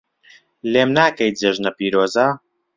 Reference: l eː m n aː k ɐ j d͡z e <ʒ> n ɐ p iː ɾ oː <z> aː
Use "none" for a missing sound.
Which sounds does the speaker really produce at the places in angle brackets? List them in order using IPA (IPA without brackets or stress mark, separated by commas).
ʒ, z